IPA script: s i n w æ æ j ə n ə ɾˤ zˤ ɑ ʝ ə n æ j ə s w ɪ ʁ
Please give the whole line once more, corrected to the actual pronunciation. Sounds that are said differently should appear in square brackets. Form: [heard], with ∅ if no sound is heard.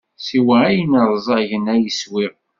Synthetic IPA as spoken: s i [∅] w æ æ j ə n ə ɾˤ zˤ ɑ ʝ ə n æ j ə s w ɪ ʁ